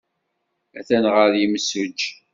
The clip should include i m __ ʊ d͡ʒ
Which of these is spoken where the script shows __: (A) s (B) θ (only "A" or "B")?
A